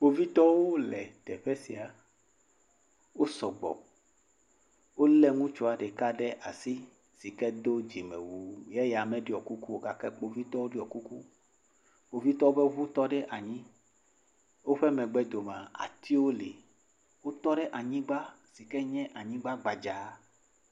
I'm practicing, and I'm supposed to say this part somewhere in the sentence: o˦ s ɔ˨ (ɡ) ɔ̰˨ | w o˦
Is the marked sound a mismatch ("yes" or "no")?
yes